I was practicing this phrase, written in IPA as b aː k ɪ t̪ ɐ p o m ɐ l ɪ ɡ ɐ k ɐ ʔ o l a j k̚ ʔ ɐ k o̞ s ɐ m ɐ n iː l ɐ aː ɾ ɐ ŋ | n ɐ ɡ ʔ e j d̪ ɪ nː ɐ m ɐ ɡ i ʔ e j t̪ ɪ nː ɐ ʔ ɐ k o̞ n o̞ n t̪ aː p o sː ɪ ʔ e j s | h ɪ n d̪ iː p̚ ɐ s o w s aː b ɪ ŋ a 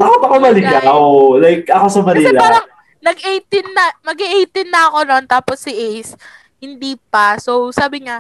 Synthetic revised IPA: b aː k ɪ t̪ ɐ k o m ɐ l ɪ ɡ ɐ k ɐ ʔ o l a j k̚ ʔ ɐ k o̞ s ɐ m ɐ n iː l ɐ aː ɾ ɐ ŋ | n ɐ ɡ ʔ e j t̪ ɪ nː ɐ m ɐ ɡ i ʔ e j t̪ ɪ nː ɐ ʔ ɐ k o̞ n o̞ n t̪ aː p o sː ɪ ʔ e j s | h ɪ n d̪ iː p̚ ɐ s o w s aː b ɪ ŋ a